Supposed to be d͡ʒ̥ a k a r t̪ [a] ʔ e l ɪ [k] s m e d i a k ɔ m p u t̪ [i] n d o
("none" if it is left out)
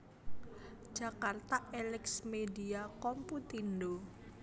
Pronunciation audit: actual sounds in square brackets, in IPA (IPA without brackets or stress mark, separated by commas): a, k, i